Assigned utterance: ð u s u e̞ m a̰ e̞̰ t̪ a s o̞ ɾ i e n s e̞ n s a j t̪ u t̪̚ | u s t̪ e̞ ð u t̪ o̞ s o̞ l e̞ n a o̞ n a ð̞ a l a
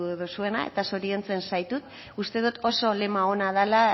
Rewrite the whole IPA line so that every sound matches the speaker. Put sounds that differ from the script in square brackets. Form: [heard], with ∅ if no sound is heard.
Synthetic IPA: ð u s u e̞ [n] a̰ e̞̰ t̪ a s o̞ ɾ i e n [t͡s] e̞ n s a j t̪ u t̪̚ | u s t̪ e̞ ð u t̪ o̞ s o̞ l e̞ [m] a o̞ n a ð̞ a l a

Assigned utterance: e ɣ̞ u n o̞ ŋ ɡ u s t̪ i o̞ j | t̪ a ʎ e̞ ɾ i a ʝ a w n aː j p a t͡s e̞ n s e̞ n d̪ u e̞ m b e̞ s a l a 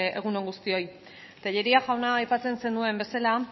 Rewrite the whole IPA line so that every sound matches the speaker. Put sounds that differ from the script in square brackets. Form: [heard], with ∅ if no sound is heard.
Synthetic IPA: e ɣ̞ u n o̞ ŋ ɡ u s t̪ i o̞ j | t̪ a ʎ e̞ ɾ i a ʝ a w n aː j p a t͡s e̞ n s e̞ n d̪ u e̞ m b e̞ s a l a

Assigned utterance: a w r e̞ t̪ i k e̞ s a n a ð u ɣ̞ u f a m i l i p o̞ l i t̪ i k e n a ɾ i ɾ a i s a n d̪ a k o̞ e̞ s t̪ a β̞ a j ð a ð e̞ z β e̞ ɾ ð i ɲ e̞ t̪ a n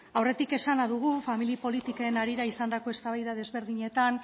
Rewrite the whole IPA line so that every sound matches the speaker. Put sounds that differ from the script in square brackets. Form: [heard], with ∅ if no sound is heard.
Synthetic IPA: a w r e̞ t̪ i k e̞ s a n a ð u ɣ̞ u f a m i l i p o̞ l i t̪ i k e n a ɾ i ɾ a i s a n d̪ a k o̞ e̞ s t̪ a β̞ a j ð a ð e̞ z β e̞ ɾ ð i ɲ e̞ t̪ a n

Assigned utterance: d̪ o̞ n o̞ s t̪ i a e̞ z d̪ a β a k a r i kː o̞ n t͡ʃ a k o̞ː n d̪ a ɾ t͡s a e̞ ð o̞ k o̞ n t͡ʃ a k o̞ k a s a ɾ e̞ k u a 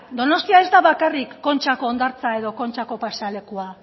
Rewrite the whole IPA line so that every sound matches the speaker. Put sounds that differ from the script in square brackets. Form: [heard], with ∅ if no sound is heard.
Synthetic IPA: d̪ o̞ n o̞ s t̪ i a e̞ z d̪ a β a k a r i kː o̞ n t͡ʃ a k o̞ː n d̪ a ɾ t͡s a e̞ ð o̞ k o̞ n t͡ʃ a k o̞ [p] a s a [l] e̞ k u a

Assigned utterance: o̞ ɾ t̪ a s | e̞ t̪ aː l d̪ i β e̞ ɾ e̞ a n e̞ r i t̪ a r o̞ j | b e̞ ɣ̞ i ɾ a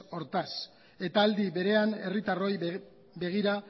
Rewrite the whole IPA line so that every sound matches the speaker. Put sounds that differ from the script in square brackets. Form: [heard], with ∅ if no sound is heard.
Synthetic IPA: o̞ ɾ t̪ a s | e̞ t̪ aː l d̪ i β e̞ ɾ e̞ a n e̞ r i t̪ a r o̞ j | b e̞ ɣ̞ i ɾ a

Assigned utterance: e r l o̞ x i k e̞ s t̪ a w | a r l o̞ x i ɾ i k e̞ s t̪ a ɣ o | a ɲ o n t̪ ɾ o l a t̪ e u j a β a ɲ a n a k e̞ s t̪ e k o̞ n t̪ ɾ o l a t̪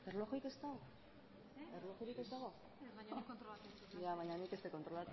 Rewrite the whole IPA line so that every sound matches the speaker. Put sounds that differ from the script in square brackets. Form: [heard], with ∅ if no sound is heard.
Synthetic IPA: e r l o̞ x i k e̞ s t̪ a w | [e] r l o̞ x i ɾ i k e̞ s t̪ a ɣ o | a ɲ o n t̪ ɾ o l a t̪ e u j a β a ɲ a n [i] k e̞ s t̪ e k o̞ n t̪ ɾ o l a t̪

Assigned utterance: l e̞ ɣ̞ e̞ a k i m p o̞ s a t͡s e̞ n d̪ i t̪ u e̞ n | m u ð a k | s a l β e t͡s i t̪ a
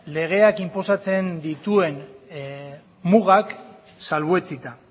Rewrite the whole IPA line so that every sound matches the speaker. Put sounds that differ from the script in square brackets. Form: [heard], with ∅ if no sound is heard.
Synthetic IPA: l e̞ ɣ̞ e̞ a k i m p o̞ s a t͡s e̞ n d̪ i t̪ u e̞ n | m u [ɣ] a k | s a l β e t͡s i t̪ a

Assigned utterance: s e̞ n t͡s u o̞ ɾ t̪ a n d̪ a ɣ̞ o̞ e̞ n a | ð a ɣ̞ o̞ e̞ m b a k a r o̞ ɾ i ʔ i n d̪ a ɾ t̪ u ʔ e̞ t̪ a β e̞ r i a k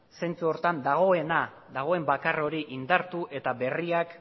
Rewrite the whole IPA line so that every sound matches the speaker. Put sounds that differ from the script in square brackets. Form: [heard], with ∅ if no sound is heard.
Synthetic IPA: s e̞ n t͡s u o̞ ɾ t̪ a n d̪ a ɣ̞ o̞ e̞ n a | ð a ɣ̞ o̞ e̞ m b a k a r o̞ ɾ i ʔ i n d̪ a ɾ t̪ u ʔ e̞ t̪ a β e̞ r i a k

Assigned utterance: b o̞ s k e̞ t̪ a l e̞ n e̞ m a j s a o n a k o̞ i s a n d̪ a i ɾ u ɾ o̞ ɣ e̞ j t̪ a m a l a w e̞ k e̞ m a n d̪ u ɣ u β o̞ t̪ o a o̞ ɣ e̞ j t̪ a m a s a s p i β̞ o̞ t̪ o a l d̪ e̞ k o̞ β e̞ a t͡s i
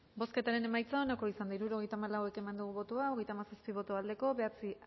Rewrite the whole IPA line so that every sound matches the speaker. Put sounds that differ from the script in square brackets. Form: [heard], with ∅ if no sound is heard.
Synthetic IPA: b o̞ s k e̞ t̪ a [ɾ] e̞ n e̞ m a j [t͡s] a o n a k o̞ i s a n d̪ a i ɾ u ɾ o̞ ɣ e̞ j t̪ a m a l a w e̞ k e̞ m a n d̪ u ɣ u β o̞ t̪ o a o̞ ɣ e̞ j t̪ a m a s a s p i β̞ o̞ t̪ o a l d̪ e̞ k o̞ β e̞ a t͡s i

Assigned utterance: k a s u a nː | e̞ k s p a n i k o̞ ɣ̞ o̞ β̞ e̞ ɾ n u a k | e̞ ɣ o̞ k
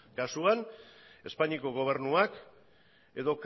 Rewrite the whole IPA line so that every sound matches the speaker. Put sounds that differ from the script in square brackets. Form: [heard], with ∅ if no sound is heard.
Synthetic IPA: k a s u a [n] | e̞ [∅] s p a [ɲ] i k o̞ ɣ̞ o̞ β̞ e̞ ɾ n u a k | e̞ [ð] o̞ k

